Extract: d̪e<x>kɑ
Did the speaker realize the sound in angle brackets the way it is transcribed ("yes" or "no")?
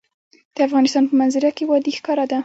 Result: yes